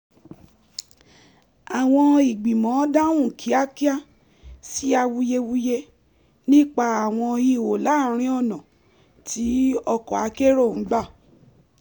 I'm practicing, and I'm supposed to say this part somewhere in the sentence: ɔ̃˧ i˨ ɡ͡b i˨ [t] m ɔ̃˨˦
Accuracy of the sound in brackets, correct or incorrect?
incorrect